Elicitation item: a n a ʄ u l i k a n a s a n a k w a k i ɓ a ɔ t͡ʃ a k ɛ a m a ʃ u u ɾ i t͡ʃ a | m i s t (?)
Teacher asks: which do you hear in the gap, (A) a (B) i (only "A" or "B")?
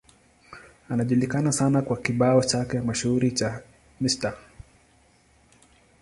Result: A